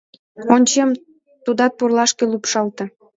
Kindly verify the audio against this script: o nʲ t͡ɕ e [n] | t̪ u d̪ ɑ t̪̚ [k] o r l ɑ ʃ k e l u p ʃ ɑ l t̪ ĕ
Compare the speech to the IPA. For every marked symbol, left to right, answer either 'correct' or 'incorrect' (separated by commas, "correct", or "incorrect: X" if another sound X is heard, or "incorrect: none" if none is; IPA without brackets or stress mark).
incorrect: m, incorrect: p